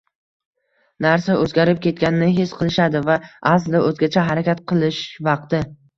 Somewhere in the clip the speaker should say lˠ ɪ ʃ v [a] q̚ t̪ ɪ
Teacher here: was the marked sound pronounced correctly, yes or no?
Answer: no